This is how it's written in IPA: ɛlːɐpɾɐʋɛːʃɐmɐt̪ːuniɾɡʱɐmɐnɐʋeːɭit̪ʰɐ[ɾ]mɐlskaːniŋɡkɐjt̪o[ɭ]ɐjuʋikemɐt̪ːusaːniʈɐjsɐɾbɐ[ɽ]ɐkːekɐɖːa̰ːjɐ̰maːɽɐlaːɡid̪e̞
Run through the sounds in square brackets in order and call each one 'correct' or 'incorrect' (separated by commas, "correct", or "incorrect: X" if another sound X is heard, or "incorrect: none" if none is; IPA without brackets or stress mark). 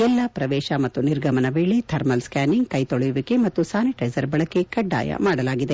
correct, correct, incorrect: ɭ